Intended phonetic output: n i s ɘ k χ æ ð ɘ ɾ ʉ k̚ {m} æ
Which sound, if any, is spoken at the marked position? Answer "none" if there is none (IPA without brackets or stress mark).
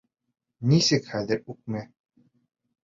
m